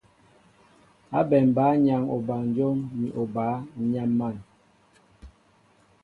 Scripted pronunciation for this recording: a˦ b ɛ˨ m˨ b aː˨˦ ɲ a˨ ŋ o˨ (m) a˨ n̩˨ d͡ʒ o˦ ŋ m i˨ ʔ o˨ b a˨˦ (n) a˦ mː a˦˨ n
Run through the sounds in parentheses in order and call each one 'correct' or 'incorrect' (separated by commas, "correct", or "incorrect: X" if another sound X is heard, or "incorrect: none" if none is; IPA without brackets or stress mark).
incorrect: b, incorrect: ɲ